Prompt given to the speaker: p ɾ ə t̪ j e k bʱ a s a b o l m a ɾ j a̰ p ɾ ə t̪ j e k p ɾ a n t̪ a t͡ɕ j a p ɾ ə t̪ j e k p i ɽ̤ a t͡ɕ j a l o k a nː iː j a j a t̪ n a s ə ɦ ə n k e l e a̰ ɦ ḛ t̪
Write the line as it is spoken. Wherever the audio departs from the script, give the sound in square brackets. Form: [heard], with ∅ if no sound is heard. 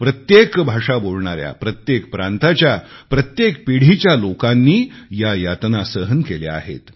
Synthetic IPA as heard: p ɾ ə t̪ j e k bʱ a [ʂ] a b o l [ɳ] a ɾ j a̰ p ɾ ə t̪ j e k p ɾ a n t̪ a t͡ɕ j a p ɾ ə t̪ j e k p i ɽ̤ [i] t͡ɕ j a l o k a nː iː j a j a t̪ n a s ə ɦ ə n k e l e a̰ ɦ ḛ t̪